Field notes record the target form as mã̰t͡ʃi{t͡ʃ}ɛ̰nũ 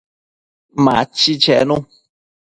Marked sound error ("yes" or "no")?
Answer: no